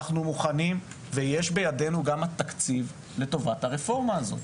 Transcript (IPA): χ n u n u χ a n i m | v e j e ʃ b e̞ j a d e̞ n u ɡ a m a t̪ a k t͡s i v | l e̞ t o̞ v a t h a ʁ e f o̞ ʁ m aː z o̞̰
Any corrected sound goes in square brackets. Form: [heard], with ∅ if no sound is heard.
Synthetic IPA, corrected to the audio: χ n u [m] u χ a n i m | v e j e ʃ b e̞ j a d e̞ n u ɡ a m a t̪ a k t͡s i v | l e̞ t o̞ v a t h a ʁ e f o̞ ʁ m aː z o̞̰